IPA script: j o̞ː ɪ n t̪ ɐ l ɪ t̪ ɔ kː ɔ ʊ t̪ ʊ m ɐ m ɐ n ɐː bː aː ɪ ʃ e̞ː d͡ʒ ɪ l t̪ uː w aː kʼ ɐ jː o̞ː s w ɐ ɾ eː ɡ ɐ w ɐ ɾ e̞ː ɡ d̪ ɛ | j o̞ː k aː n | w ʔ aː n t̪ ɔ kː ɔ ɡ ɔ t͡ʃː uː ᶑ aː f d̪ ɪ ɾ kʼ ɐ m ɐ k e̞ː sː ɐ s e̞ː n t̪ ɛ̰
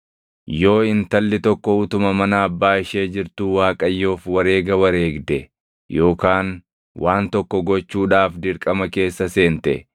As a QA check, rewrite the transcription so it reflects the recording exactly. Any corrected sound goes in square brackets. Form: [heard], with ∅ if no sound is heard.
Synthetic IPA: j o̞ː ɪ n t̪ ɐ [lː] ɪ t̪ ɔ kː ɔ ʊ t̪ ʊ m ɐ m ɐ n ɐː bː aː ɪ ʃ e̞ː d͡ʒ ɪ [ɾ] t̪ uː w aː kʼ ɐ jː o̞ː [f] w ɐ ɾ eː ɡ ɐ w ɐ ɾ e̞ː ɡ d̪ ɛ | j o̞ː k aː n | w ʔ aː n t̪ ɔ kː ɔ ɡ ɔ t͡ʃː uː ᶑ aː f d̪ ɪ ɾ kʼ ɐ m ɐ k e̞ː sː ɐ s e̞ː n t̪ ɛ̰